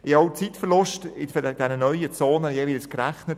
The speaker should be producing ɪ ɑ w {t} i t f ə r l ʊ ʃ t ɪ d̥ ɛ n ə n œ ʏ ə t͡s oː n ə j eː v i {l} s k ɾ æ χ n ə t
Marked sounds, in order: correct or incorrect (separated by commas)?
incorrect, correct